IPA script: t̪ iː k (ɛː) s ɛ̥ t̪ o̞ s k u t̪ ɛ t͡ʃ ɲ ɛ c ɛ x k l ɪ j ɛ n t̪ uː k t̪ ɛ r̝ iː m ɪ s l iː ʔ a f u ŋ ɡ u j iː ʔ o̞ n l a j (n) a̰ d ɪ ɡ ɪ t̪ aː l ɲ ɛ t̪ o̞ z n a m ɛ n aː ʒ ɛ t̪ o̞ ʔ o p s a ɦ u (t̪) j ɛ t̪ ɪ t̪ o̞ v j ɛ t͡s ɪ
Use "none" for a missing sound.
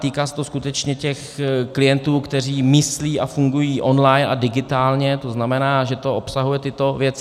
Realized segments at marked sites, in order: aː, n, none

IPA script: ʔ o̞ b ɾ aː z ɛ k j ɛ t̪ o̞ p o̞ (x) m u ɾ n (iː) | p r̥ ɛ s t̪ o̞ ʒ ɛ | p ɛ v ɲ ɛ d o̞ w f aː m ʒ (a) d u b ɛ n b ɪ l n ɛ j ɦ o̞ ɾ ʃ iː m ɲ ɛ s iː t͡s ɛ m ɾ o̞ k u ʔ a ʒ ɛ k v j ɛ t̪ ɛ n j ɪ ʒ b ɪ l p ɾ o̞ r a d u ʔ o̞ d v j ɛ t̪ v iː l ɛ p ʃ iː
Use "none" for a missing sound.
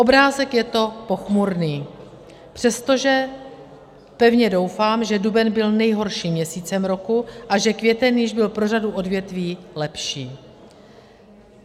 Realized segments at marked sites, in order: x, iː, ɛ

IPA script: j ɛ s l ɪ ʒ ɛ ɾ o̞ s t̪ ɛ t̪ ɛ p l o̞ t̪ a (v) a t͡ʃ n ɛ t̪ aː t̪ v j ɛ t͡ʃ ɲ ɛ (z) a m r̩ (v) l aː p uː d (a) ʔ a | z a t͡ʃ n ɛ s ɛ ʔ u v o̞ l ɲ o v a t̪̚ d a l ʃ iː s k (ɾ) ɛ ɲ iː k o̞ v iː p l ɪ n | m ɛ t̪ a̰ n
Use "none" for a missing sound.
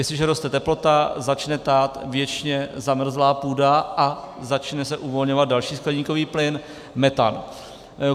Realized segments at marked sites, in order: z, z, z, a, l

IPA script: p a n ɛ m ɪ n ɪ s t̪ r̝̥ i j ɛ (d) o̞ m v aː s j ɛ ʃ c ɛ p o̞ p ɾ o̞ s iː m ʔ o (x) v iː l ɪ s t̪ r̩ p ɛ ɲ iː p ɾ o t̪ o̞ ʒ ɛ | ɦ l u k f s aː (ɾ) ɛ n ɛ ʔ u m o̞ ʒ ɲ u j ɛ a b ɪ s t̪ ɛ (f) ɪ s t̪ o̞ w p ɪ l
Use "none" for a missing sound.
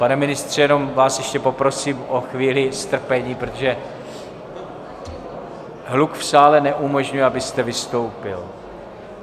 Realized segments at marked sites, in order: n, x, l, v

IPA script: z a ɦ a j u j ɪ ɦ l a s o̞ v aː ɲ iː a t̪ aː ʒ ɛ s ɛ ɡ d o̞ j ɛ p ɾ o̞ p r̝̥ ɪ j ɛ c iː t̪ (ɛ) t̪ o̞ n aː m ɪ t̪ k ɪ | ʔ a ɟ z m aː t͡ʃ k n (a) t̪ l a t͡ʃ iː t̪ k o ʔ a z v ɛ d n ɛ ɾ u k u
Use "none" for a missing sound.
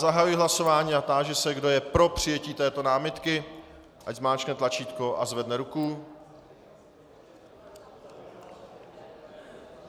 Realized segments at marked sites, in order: ɛː, ɛ

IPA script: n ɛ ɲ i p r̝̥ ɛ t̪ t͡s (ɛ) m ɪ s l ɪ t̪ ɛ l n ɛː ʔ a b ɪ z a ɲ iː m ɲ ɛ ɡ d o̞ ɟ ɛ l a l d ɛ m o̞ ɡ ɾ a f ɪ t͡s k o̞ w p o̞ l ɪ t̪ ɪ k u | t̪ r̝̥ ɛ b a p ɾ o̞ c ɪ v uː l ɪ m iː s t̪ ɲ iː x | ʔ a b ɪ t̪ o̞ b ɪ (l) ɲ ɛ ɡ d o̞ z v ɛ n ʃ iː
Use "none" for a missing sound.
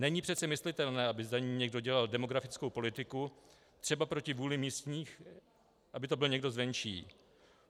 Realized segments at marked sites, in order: ɛ, l

